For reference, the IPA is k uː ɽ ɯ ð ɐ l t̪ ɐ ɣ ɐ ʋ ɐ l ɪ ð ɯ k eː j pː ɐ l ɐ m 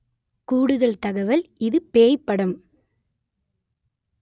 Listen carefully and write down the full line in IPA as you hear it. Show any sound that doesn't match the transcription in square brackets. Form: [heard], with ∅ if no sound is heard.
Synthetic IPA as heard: k uː ɽ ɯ ð ɐ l t̪ ɐ ɣ ɐ ʋ ɐ l ɪ ð ɯ [p] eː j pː ɐ [ɽ] ɐ m